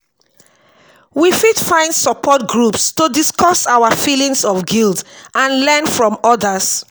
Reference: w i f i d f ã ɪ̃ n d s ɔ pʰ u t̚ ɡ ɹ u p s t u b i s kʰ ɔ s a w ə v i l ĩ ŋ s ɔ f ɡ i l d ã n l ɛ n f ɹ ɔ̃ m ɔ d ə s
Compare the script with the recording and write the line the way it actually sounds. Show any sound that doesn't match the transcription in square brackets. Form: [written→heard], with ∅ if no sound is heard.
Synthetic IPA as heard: w i f i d f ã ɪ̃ n d s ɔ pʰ [u→ɔ] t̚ ɡ ɹ u p s t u [b→d] i s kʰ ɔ s a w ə [v→f] i l ĩ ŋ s ɔ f ɡ i l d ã n l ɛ n f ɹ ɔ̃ m ɔ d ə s